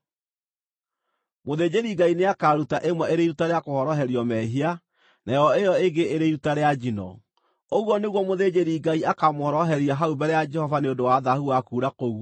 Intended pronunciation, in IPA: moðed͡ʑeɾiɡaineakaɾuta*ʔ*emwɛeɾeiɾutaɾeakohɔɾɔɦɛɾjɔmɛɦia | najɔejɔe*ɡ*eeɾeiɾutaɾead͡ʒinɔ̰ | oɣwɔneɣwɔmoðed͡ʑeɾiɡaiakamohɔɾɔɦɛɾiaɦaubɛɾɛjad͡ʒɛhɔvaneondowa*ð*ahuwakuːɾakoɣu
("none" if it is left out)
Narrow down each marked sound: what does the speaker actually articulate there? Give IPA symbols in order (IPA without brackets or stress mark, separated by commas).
ʔ, ɡ, ð